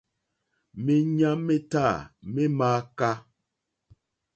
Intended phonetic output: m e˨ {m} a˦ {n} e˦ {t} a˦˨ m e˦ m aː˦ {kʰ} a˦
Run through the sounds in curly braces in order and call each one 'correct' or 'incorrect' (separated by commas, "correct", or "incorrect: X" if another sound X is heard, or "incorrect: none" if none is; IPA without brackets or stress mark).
incorrect: ɲ, incorrect: m, correct, incorrect: k